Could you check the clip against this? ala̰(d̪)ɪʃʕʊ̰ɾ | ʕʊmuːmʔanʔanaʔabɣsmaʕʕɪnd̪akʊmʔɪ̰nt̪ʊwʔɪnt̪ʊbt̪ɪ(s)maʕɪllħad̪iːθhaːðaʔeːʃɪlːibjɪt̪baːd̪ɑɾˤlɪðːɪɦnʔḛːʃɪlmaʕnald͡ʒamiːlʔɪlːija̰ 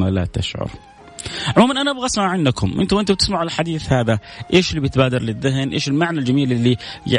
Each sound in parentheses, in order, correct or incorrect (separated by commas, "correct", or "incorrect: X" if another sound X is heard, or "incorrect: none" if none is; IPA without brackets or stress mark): incorrect: t̪, correct